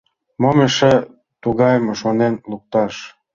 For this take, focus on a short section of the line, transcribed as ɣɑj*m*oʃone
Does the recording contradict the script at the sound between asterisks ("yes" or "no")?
no